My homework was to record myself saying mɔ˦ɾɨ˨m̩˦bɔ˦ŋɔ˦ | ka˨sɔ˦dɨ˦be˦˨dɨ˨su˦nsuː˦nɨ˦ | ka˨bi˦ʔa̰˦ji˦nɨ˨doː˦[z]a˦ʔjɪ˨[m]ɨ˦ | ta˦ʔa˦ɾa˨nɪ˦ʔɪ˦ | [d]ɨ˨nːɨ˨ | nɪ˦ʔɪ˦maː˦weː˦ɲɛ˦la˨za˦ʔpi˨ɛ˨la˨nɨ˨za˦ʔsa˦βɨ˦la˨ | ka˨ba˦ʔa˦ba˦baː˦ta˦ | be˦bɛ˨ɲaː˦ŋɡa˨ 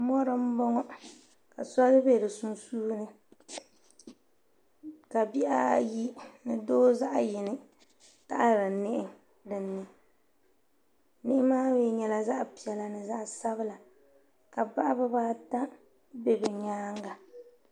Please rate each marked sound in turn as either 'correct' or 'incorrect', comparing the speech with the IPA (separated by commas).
correct, incorrect, correct